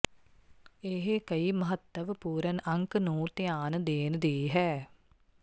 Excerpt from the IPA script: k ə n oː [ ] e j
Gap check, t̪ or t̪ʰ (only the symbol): t̪